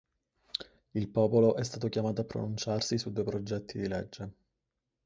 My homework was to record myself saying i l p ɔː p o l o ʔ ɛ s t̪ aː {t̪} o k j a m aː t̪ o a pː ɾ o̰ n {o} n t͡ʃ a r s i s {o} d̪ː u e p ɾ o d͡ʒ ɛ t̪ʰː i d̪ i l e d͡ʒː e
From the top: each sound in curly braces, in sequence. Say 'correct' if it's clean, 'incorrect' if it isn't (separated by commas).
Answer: correct, incorrect, incorrect